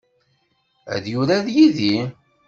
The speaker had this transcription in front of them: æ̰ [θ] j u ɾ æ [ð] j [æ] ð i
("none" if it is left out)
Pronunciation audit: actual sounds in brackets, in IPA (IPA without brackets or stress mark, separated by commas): ð, ð, i